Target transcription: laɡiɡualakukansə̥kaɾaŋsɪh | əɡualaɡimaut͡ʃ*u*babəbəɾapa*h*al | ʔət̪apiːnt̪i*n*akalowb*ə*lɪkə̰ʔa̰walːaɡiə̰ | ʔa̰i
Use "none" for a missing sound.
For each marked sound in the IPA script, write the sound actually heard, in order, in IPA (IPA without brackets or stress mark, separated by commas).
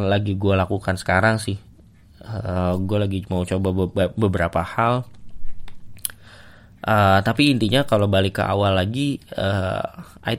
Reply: o, h, ɲ, a